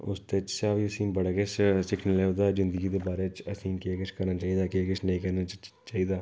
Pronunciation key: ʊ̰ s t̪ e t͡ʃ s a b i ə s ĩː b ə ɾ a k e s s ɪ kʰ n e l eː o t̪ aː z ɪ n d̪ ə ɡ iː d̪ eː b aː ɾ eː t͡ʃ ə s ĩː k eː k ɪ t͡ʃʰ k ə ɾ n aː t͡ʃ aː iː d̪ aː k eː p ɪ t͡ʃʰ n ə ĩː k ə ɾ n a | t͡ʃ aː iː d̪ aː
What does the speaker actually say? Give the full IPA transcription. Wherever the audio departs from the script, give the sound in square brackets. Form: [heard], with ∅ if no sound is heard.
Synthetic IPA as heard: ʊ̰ s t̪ e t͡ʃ s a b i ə s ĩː b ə [ɽ] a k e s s ɪ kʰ n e l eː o [d̪] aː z ɪ n d̪ ə ɡ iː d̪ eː b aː ɾ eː t͡ʃ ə s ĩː k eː k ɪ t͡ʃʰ k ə ɾ n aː t͡ʃ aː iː d̪ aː k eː [k] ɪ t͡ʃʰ n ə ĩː k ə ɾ n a | t͡ʃ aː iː d̪ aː